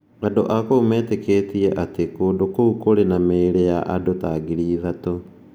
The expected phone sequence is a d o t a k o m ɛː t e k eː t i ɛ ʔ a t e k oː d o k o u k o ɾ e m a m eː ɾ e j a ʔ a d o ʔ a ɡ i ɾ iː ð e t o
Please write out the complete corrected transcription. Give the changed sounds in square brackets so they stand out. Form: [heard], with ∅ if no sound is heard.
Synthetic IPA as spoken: a d o [ʔ] a k o m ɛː t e k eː t i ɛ ʔ a t e k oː d o k o u k o ɾ e [n] a m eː ɾ e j a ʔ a d o [t] a ɡ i ɾ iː ð [a] t o